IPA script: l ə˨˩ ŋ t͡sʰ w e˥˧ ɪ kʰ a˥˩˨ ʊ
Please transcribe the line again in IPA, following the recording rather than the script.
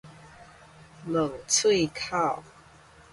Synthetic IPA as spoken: l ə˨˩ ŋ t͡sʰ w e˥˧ ɪ kʰ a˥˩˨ ʊ